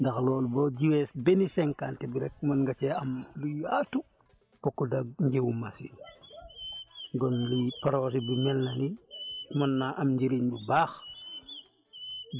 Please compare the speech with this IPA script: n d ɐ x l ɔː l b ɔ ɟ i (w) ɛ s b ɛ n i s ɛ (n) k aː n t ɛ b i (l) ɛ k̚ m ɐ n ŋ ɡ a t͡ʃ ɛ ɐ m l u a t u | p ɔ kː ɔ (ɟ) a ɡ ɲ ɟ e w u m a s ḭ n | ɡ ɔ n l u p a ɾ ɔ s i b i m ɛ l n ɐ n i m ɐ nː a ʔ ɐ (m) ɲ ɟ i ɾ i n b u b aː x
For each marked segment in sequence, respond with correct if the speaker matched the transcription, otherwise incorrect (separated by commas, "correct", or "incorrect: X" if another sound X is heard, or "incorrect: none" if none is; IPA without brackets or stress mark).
correct, incorrect: ŋ, incorrect: ɾ, incorrect: d, correct